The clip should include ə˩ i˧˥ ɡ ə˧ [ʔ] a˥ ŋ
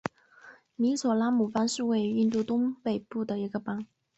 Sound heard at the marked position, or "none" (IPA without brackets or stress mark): p